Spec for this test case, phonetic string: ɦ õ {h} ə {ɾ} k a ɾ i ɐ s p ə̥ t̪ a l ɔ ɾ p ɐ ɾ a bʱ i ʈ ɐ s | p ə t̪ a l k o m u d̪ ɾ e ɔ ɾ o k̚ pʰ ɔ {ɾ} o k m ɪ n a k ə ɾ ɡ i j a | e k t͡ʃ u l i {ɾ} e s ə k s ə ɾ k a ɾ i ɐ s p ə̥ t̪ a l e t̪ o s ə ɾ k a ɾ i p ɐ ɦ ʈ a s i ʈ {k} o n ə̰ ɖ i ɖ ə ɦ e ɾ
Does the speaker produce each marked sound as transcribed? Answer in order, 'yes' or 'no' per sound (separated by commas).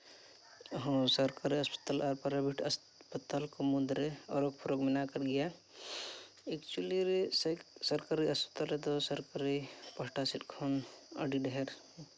no, yes, yes, yes, no